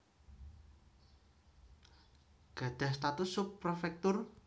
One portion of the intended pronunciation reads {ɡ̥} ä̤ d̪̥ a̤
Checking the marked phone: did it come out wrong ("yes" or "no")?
no